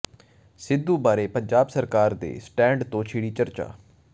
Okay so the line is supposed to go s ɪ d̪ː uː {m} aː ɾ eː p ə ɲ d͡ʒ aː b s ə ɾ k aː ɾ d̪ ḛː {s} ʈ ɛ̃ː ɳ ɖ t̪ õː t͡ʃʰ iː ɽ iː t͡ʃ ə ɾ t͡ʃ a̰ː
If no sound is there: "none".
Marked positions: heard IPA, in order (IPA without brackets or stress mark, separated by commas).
b, s